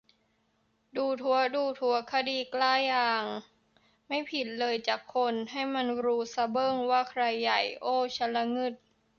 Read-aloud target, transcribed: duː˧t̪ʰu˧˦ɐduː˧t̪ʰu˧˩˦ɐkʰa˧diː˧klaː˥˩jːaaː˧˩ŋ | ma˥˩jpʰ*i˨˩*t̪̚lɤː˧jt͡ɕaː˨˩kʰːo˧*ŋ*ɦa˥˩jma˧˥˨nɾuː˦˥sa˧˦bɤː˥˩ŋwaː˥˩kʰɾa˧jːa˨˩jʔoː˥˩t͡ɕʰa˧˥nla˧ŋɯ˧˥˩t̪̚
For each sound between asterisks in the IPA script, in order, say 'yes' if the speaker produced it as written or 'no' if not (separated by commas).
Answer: yes, no